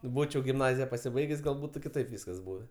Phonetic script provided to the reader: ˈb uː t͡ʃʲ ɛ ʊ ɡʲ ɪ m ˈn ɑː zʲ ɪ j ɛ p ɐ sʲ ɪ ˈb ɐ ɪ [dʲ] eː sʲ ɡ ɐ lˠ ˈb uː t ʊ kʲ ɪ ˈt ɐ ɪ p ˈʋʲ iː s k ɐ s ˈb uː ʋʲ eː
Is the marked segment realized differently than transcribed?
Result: yes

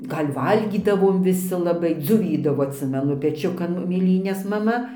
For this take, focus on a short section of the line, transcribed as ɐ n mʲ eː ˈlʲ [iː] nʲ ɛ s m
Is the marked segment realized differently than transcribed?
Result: no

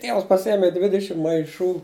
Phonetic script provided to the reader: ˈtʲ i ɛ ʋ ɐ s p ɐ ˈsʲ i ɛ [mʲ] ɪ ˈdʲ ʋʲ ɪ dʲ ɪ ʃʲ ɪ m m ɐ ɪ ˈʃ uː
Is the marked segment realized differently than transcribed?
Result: no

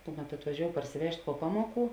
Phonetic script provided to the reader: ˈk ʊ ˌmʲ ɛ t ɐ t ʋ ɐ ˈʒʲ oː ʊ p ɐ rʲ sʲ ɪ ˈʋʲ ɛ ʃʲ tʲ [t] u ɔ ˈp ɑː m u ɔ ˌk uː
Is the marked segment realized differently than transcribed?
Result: yes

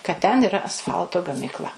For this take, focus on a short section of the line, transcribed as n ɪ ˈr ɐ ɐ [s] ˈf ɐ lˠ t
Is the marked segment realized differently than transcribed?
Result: no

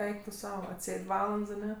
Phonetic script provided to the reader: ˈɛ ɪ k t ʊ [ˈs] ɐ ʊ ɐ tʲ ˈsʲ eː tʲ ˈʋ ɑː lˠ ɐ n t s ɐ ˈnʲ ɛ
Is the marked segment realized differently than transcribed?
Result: no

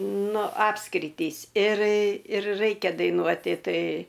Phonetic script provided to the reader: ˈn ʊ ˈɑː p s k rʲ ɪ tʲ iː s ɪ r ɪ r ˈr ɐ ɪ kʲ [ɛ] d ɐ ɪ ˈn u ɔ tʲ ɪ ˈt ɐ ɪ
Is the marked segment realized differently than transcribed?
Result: no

